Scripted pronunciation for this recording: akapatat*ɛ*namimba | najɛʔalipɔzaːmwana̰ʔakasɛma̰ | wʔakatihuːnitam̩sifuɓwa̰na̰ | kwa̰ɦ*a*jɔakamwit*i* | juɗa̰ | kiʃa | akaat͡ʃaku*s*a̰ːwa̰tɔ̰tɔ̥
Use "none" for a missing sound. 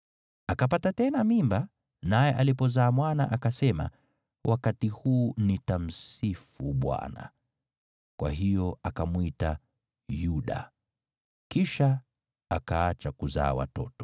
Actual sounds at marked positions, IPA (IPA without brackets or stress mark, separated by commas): ɛ, i, a, z